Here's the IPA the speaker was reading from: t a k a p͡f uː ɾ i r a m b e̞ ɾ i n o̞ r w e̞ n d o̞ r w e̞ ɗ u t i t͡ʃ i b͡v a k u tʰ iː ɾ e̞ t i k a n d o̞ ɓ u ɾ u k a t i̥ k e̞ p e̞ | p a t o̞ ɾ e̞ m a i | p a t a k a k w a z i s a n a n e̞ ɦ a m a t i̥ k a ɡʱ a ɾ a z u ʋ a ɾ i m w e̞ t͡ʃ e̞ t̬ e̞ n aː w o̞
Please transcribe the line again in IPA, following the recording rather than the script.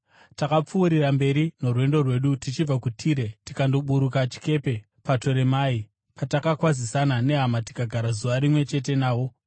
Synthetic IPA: t a k a p͡f uː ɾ i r a m b e̞ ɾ i n o̞ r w e̞ n d o̞ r w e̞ ɗ u t i t͡ʃ i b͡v a k u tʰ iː ɾ e̞ t i k a n d o̞ ɓ u ɾ u k a t͡ʃ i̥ k e̞ p e̞ | p a t o̞ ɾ e̞ m a i | p a t a k a k w a z i s a n a n e̞ ɦ a m a t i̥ k a ɡʱ a ɾ a z u ʋ a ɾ i m w e̞ t͡ʃ e̞ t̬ e̞ n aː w o̞